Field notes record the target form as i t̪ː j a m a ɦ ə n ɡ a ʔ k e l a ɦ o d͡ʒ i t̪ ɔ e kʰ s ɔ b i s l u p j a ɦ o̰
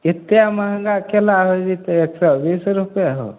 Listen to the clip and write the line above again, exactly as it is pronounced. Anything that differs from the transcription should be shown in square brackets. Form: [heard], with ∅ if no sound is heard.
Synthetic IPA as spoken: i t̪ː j a m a ɦ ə [ŋ] ɡ a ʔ k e l a ɦ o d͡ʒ i t̪ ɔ e [k] s ɔ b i s [ɾ] u p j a ɦ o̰